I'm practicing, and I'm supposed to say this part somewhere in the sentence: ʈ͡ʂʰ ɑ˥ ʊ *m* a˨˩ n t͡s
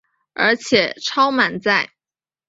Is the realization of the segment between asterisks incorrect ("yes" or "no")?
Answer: no